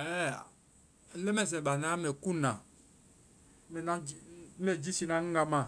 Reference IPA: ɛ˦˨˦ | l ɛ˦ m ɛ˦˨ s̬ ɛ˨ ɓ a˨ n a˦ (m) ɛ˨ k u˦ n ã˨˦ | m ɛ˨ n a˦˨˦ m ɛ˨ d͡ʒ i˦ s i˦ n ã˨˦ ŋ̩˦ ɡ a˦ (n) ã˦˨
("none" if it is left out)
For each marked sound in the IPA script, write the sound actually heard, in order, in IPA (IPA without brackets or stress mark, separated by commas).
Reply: m, m